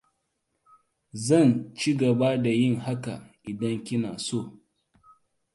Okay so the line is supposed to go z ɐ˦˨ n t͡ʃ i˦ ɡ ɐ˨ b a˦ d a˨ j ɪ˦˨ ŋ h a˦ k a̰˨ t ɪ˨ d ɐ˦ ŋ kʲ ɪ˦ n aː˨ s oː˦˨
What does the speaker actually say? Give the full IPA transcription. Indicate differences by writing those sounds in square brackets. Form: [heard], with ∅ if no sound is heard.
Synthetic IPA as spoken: z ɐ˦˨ n t͡ʃ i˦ ɡ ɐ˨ b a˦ d a˨ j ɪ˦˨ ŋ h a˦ k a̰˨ [ʔ] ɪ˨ d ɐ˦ ŋ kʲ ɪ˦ n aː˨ s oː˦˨